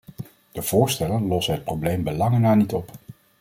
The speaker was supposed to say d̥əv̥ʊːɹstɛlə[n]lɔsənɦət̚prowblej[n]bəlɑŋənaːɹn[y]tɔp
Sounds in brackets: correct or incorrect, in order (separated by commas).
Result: correct, incorrect, incorrect